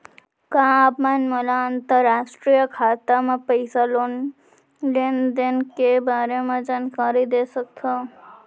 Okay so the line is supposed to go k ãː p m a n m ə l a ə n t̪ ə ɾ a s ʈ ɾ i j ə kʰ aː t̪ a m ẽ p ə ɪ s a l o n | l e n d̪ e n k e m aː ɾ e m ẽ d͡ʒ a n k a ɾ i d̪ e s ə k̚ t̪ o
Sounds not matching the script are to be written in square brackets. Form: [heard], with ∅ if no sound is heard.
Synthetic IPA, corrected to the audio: k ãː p m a n m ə l a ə n t̪ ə ɾ a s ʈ ɾ i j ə kʰ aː t̪ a m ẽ p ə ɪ s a l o n | l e n d̪ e n k e [b] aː ɾ e m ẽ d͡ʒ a n k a ɾ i d̪ e s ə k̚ [t̪ʰ] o